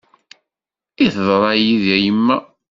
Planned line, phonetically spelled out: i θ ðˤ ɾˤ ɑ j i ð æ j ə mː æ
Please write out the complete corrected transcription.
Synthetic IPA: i θ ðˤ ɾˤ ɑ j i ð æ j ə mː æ